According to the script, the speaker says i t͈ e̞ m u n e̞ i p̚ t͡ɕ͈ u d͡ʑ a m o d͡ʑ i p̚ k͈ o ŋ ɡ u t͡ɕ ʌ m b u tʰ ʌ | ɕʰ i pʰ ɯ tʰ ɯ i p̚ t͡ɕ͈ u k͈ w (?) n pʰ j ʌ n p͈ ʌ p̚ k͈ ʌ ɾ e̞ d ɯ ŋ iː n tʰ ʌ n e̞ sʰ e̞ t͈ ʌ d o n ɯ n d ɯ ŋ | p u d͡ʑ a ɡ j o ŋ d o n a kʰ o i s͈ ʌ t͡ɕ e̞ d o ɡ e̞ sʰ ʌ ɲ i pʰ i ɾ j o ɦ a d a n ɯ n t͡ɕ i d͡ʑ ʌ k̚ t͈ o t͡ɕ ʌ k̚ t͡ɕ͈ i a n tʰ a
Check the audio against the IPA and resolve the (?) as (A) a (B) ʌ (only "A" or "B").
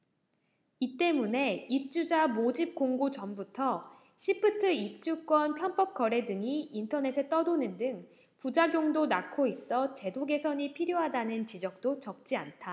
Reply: B